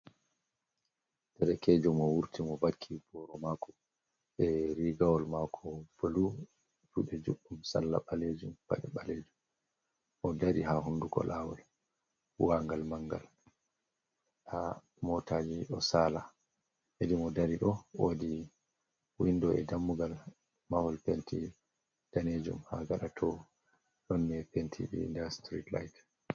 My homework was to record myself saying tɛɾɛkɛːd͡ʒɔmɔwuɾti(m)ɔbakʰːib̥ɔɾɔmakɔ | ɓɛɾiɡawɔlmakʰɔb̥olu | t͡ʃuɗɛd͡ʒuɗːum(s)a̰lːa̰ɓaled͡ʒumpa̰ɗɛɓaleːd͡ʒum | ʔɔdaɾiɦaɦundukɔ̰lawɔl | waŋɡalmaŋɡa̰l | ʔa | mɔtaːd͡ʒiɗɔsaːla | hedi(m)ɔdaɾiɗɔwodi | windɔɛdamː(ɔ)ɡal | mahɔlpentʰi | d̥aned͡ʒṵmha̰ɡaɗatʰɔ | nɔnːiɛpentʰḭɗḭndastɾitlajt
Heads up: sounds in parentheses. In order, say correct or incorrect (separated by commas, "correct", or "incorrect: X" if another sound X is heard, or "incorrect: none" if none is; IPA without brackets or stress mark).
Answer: correct, correct, correct, incorrect: u